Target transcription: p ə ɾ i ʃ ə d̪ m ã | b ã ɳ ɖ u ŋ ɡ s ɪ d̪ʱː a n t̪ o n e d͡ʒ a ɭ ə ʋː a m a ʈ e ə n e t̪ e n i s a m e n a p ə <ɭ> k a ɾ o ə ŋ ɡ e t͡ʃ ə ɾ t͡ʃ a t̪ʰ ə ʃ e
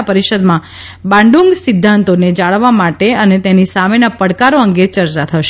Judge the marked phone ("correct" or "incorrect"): incorrect